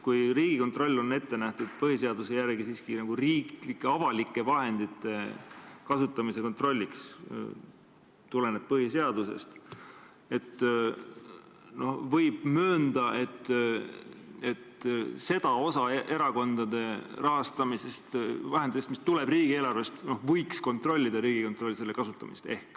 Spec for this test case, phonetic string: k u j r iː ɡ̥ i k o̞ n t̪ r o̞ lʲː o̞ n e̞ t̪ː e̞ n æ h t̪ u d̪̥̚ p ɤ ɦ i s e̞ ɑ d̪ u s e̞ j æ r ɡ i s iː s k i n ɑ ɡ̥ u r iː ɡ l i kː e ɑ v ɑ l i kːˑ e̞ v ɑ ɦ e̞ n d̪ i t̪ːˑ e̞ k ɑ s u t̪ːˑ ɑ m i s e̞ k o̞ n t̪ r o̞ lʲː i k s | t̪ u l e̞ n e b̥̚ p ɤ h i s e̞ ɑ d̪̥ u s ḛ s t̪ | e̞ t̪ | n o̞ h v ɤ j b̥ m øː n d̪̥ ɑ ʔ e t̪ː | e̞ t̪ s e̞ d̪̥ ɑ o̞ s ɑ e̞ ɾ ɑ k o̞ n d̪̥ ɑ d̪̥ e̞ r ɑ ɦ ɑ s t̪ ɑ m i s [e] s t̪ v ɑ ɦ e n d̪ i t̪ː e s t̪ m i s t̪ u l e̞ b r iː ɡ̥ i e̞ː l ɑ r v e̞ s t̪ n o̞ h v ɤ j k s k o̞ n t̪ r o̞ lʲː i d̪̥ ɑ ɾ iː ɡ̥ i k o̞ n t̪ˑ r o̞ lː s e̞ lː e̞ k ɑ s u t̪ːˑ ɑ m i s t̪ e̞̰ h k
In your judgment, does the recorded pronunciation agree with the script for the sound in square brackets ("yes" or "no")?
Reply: yes